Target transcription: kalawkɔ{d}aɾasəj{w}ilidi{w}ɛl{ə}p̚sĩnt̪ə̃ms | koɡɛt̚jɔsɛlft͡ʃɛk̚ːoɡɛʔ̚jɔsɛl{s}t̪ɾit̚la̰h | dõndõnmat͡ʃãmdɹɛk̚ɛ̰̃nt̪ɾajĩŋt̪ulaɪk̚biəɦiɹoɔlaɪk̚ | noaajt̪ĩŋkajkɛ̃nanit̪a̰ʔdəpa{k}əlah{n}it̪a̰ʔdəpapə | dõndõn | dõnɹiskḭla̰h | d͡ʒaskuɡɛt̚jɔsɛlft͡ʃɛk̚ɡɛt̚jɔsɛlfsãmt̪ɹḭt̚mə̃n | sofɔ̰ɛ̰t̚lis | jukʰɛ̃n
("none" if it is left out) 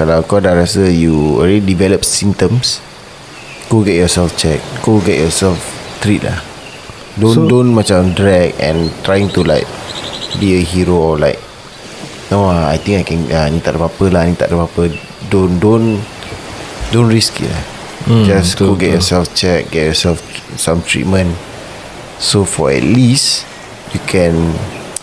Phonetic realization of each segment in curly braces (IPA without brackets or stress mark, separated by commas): d, u, v, ə, f, p, n